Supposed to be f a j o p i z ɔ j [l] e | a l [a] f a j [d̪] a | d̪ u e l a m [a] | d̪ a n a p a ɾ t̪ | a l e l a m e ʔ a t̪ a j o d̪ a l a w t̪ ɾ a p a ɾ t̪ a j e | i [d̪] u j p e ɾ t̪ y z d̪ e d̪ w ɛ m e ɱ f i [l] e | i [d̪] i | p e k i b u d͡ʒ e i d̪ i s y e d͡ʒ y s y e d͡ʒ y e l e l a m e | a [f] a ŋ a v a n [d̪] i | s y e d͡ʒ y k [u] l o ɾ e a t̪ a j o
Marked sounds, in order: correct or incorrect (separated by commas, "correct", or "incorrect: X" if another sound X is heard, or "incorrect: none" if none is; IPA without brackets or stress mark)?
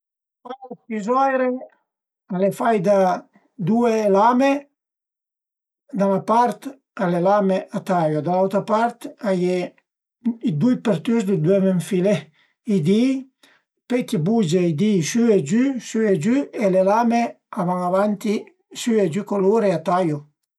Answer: incorrect: ɾ, incorrect: e, correct, incorrect: e, correct, correct, correct, incorrect: v, incorrect: t̪, incorrect: o